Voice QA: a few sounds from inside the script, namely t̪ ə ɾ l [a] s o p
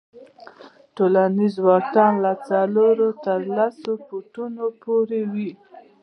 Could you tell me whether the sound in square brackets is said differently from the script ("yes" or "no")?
no